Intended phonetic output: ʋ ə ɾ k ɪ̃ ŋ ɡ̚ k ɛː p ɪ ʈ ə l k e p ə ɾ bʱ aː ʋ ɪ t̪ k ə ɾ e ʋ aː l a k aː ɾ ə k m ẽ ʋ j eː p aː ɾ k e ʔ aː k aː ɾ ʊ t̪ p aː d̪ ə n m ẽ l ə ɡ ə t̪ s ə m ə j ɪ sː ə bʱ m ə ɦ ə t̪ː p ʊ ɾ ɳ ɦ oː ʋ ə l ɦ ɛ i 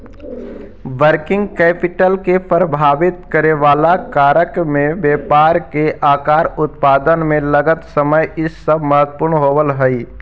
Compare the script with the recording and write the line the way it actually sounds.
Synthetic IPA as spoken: ʋ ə ɾ k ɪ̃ ŋ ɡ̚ k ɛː p ɪ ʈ ə l k e p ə ɾ bʱ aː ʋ ɪ t̪ k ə ɾ e ʋ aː l a k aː ɾ ə k m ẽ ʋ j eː p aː ɾ k e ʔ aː k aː ɾ ʊ t̪ p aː d̪ ə n m ẽ l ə ɡ ə t̪ s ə m ə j ɪ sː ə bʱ m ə ɦ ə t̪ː p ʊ ɾ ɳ ɦ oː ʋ ə l ɦ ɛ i